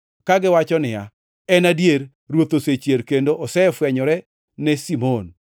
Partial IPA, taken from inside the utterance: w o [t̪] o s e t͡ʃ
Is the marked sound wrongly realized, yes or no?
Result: no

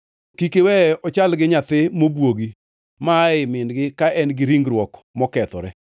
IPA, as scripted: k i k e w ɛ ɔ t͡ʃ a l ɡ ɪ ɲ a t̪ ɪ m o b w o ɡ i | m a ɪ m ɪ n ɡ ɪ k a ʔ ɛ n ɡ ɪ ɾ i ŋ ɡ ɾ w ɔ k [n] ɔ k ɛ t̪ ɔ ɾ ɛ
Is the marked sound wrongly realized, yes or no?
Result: yes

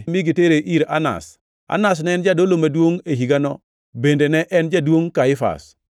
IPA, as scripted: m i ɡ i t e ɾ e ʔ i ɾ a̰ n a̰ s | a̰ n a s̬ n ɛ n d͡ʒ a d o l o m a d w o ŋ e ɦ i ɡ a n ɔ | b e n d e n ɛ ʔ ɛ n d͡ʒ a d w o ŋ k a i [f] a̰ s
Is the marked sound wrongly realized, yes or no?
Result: no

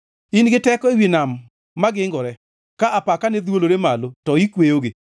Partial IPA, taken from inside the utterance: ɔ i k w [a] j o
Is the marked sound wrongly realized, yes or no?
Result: yes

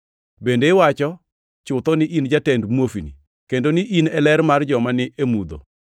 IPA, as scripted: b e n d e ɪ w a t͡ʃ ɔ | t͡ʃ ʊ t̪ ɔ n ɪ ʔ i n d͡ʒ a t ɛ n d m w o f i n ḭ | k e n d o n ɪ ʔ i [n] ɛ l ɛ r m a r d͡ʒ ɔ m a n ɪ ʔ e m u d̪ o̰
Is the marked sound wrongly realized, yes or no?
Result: no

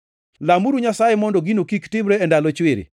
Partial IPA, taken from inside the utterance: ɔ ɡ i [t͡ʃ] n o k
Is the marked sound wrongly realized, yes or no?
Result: yes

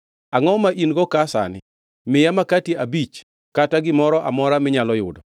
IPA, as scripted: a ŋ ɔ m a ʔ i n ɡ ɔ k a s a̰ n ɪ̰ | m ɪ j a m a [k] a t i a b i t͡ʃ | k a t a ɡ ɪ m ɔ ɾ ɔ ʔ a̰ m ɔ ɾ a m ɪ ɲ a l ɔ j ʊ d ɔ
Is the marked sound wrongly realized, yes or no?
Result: no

